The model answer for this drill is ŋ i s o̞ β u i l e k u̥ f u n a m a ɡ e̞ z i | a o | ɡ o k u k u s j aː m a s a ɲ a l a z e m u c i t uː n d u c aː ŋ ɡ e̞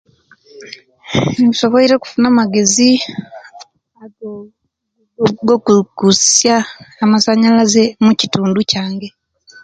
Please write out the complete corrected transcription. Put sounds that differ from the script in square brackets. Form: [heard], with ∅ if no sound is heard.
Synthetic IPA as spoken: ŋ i s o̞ β [o] i [ɾ] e k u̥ f u n a m a ɡ e̞ z i | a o | ɡ o k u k u s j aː m a s a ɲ a l a z e m u c i t uː n d u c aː ŋ ɡ e̞